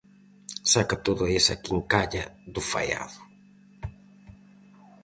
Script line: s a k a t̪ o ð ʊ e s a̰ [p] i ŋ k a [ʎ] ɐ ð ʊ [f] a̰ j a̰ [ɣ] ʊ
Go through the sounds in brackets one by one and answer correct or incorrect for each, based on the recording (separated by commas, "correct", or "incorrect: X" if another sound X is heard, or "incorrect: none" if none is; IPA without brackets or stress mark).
incorrect: k, correct, correct, incorrect: ð